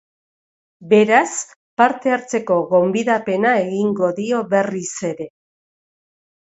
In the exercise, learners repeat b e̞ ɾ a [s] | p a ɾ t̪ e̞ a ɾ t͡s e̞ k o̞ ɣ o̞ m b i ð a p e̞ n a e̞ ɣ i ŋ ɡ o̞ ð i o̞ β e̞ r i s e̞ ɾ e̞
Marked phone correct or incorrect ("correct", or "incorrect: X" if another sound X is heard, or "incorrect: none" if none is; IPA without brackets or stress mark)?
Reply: correct